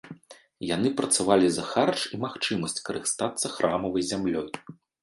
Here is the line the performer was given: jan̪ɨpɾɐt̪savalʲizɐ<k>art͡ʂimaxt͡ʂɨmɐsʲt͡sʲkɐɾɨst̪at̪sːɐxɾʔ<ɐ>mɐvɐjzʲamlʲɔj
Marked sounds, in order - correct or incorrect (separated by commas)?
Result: incorrect, incorrect